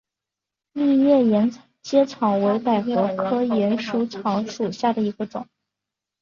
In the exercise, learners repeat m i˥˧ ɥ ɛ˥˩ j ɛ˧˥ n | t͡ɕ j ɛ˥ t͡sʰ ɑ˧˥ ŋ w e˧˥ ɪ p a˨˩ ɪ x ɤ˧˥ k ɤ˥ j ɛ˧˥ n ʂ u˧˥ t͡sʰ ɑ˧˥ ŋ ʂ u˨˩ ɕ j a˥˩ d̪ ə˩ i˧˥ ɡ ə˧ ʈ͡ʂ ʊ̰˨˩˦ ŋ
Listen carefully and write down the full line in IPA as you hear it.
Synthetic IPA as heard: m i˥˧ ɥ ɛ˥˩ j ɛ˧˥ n | t͡ɕ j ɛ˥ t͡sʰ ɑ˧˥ ŋ w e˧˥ ɪ p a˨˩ ɪ x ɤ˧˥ kʰ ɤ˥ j ɛ˧˥ n ʂ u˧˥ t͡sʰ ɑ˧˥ ŋ ʂ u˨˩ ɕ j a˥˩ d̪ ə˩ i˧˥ ɡ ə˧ ʈ͡ʂ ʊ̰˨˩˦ ŋ